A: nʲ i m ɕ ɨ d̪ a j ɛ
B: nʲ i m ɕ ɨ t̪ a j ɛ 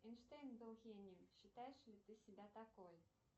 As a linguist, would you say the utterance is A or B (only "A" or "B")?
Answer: B